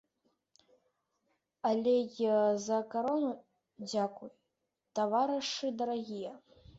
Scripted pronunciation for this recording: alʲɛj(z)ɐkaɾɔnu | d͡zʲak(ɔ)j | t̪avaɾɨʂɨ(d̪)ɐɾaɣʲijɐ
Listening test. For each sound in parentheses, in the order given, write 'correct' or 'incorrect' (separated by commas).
correct, incorrect, correct